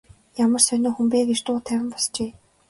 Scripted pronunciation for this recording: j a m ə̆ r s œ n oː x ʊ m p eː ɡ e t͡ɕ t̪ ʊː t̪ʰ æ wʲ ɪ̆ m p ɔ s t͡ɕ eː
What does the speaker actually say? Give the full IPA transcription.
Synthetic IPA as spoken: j a m ə̆ r s œ n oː x u m p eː ɡ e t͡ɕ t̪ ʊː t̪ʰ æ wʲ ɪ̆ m p ɔ s t͡ɕ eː